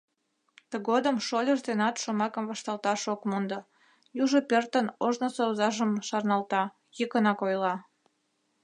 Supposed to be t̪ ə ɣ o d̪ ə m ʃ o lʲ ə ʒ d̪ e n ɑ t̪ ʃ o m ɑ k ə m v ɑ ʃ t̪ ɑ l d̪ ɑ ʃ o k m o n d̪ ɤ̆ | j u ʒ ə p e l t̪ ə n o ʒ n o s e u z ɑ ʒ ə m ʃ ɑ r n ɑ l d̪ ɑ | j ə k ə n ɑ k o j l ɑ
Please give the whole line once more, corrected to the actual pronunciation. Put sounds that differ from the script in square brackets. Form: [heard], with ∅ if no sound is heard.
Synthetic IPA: t̪ ə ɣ o d̪ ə m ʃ o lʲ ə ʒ d̪ e n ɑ t̪ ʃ o m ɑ k ə m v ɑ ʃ t̪ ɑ l [t̪] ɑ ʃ o k m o n d̪ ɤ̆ | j u ʒ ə p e [r] t̪ ə n o ʒ n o s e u z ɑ ʒ ə m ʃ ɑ r n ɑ l [t̪] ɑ | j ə k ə n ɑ k o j l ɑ